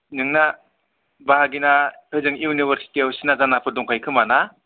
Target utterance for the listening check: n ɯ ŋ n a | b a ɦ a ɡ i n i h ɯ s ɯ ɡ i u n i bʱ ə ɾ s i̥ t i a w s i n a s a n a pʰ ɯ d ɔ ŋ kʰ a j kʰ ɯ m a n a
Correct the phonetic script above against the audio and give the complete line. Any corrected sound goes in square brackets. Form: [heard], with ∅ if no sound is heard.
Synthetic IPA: n ɯ ŋ n a | b a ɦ a ɡ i n [a] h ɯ [z] ɯ [ŋ] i u n i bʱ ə ɾ s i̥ t i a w s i n a [z] a n a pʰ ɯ d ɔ ŋ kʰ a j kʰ ɯ m a n a